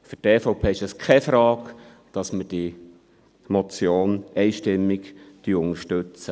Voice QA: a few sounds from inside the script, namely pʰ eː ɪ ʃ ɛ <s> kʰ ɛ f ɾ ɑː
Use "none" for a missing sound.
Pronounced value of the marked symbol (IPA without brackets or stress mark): s